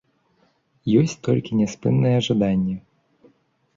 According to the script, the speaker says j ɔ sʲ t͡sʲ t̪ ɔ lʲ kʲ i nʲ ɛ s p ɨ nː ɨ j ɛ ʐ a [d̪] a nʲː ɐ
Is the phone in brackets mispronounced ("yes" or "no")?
no